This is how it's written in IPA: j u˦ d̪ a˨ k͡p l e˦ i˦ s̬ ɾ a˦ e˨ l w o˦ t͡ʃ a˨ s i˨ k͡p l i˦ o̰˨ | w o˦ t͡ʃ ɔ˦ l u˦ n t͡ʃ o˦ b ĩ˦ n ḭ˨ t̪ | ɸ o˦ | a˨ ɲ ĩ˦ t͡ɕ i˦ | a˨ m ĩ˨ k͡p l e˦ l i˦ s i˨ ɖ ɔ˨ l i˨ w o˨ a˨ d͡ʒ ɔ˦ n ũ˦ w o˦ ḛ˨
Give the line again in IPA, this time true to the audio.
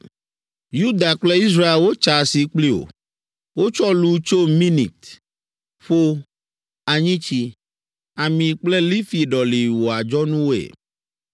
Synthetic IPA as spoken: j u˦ d̪ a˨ k͡p l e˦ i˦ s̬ ɾ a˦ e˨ l w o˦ t͡ʃ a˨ s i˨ k͡p l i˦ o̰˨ | w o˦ t͡ʃ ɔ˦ l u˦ t͡ʃ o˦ m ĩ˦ n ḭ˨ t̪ | ɸ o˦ | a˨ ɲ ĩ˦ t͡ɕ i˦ | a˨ m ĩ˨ k͡p l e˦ l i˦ f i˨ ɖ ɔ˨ l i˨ w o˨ a˨ d͡ʒ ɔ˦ n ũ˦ w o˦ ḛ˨

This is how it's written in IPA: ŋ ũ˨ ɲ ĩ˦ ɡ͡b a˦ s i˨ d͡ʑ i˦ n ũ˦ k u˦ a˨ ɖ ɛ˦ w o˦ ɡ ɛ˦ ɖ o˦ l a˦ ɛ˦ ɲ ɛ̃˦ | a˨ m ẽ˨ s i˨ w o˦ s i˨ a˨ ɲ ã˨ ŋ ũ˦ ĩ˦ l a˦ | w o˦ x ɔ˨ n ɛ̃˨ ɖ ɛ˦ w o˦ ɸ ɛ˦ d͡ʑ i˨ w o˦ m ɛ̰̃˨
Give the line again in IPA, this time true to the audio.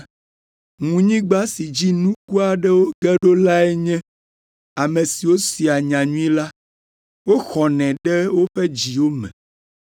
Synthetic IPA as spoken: ŋ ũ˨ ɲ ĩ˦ ɡ͡b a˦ s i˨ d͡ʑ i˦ n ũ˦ k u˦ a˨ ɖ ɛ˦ w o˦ ɡ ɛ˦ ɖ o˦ l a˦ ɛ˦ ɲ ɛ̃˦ | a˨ m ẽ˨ s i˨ w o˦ s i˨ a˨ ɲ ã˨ ɲ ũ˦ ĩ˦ l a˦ | w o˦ x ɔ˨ n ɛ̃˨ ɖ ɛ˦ w o˦ ɸ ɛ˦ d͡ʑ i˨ w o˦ m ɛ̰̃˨

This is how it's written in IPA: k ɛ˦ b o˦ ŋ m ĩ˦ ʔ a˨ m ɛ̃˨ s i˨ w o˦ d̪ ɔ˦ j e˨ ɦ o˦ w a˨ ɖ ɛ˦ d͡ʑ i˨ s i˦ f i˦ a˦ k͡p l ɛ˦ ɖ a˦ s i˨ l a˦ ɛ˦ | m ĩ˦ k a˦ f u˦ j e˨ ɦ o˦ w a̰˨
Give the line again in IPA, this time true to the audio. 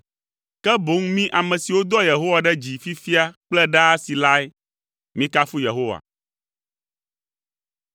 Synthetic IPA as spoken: k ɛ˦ b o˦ ŋ m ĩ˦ ʔ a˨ m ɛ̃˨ s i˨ w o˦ d̪ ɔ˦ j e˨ ɦ o˦ w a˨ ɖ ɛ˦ d͡ʑ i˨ f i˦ f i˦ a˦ k͡p l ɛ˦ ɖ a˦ s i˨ l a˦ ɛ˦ | m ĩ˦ k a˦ f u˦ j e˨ ɦ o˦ w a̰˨

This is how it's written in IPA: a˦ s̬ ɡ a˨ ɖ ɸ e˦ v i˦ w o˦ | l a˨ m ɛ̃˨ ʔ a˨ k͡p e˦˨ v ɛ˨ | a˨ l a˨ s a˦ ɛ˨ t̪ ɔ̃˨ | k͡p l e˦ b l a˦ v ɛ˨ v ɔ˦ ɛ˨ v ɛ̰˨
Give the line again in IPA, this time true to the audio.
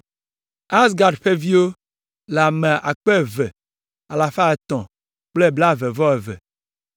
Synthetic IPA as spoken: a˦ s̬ ɡ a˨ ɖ ɸ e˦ v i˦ w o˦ | l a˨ m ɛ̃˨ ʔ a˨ k͡p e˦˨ v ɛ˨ | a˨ l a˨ f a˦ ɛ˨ t̪ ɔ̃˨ | k͡p l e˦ b l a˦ v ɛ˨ v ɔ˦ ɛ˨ v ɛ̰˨

